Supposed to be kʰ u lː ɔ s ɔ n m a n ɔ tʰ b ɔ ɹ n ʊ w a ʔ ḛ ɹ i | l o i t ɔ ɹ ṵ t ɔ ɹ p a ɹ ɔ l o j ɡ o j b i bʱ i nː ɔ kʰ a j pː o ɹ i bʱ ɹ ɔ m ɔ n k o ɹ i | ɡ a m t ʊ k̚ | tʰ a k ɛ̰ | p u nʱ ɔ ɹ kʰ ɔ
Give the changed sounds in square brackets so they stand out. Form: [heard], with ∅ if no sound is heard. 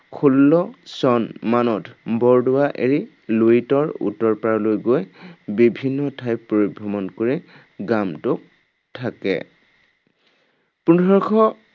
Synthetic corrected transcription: kʰ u lː ɔ s ɔ n m a n ɔ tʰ b ɔ ɹ [d] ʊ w a ʔ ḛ ɹ i | l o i t ɔ ɹ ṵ t ɔ ɹ p a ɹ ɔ l o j ɡ o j b i bʱ i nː ɔ [tʰ] a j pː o ɹ i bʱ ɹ ɔ m ɔ n k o ɹ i | ɡ a m t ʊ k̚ | tʰ a k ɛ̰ | p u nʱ ɔ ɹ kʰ ɔ